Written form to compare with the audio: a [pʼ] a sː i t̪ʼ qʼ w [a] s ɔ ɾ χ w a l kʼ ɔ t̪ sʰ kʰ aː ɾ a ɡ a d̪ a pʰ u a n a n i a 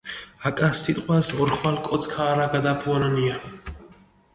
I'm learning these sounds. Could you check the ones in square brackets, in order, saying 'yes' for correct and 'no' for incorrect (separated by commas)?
no, yes